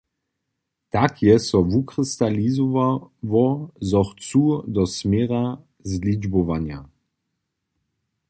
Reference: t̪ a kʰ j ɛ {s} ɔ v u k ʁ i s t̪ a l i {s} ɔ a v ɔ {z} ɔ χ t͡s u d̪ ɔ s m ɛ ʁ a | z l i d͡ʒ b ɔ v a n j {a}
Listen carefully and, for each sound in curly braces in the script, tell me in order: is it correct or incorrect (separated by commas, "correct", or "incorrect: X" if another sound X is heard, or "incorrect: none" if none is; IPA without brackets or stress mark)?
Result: correct, incorrect: z, correct, correct